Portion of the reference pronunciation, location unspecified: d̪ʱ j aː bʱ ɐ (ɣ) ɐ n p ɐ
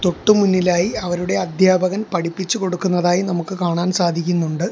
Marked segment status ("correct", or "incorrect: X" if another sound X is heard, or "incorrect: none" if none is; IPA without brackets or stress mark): correct